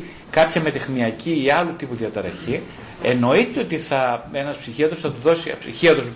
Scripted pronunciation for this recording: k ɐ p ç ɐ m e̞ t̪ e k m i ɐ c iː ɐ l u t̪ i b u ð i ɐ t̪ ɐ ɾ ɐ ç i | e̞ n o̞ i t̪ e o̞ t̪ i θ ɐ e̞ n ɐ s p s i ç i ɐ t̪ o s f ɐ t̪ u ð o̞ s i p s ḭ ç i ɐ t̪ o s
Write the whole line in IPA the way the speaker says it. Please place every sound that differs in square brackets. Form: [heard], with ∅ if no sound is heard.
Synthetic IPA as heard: k ɐ p ç ɐ m e̞ t̪ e [x] m i ɐ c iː ɐ l u t̪ i [p] u ð i ɐ t̪ ɐ ɾ ɐ ç i | e̞ n o̞ i t̪ e o̞ t̪ i θ ɐ e̞ n ɐ s p s i ç i ɐ t̪ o s [θ] ɐ t̪ u ð o̞ s i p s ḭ ç i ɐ t̪ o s